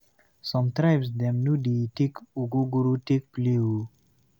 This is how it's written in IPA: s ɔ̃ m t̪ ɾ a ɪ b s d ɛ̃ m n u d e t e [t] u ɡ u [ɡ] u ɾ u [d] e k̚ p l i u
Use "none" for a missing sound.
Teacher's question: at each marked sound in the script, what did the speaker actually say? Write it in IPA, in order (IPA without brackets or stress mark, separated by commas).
k, ɡ, t